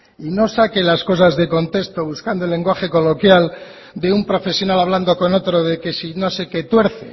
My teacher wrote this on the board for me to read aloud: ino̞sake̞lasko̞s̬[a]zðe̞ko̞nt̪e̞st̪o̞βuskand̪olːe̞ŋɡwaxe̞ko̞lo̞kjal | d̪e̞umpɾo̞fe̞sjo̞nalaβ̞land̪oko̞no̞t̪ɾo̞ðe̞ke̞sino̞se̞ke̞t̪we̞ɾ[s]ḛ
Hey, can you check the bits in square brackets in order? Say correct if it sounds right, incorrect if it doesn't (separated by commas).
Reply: correct, incorrect